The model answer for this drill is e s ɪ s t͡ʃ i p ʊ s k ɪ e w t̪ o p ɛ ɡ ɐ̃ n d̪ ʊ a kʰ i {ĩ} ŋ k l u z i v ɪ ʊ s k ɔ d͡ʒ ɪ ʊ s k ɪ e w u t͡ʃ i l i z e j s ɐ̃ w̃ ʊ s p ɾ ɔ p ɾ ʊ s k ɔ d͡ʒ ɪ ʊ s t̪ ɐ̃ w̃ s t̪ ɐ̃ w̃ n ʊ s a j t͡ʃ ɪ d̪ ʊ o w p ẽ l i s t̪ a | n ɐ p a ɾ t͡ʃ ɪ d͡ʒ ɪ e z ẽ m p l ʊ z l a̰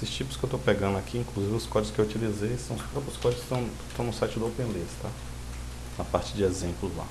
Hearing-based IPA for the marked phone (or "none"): ĩ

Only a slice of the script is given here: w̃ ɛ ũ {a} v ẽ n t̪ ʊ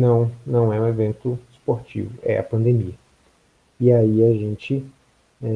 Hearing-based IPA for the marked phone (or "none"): e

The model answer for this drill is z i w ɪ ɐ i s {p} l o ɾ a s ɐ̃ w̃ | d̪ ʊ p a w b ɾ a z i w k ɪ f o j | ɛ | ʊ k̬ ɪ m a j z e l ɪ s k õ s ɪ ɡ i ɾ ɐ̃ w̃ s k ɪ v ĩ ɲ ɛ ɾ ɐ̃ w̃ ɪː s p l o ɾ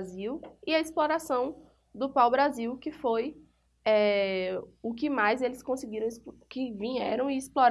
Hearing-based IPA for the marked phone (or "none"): p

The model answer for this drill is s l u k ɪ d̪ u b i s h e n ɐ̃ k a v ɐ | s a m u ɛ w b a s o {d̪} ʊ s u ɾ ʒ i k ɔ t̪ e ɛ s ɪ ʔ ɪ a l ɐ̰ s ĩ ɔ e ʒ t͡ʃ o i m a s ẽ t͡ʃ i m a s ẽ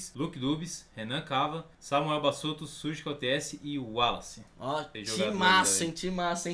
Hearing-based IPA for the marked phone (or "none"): t̪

